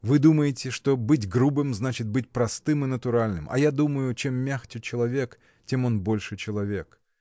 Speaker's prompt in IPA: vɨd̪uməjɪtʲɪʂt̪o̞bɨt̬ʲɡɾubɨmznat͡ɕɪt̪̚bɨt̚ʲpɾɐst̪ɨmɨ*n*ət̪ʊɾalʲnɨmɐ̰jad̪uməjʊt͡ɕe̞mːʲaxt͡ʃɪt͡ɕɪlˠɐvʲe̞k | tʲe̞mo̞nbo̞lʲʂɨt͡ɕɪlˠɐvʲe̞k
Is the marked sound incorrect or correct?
correct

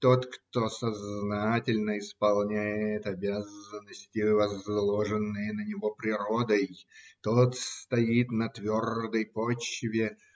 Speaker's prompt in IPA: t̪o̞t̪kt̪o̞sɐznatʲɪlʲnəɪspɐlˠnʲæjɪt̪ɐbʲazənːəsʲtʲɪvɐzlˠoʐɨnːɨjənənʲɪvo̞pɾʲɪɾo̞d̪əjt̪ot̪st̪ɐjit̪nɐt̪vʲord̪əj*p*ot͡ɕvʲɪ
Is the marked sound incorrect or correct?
correct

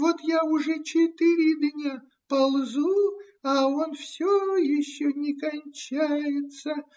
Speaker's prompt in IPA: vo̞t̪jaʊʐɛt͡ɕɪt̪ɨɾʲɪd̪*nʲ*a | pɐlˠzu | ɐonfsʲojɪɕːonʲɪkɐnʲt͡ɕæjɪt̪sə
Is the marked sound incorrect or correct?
correct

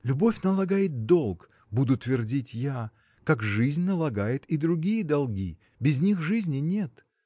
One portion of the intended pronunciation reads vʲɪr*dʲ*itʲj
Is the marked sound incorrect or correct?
correct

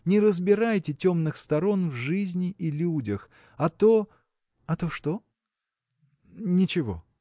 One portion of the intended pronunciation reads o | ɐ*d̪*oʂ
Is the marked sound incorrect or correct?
incorrect: t̪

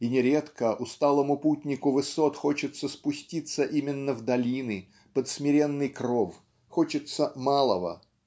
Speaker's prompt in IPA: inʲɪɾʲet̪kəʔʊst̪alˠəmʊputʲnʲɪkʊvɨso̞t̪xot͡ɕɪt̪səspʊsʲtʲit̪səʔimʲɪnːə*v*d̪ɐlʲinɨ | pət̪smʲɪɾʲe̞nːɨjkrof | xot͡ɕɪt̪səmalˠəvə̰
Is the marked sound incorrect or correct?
correct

